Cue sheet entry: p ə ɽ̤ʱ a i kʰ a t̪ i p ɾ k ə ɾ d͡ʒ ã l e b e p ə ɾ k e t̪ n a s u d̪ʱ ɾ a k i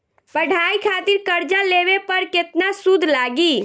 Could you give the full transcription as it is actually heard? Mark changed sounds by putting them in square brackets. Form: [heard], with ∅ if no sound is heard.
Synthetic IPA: p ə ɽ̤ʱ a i kʰ a t̪ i [∅] ɾ k ə ɾ d͡ʒ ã l e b e p ə ɾ k e t̪ n a s u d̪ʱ [l] a [ɡ] i